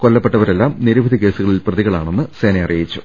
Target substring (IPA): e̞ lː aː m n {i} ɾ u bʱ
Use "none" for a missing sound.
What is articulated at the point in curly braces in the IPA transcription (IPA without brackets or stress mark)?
i